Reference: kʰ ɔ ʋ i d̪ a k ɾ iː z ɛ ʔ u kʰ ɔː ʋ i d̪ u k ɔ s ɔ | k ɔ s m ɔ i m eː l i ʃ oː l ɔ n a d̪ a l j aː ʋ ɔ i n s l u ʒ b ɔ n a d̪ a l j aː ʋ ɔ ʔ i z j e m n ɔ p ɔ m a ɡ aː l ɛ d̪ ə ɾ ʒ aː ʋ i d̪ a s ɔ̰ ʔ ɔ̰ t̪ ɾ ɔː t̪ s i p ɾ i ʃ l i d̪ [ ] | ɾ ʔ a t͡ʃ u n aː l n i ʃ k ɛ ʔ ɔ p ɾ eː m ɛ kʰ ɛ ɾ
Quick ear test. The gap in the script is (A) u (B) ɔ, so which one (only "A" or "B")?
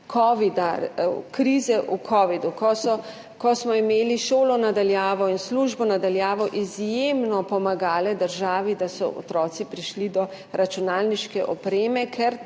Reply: B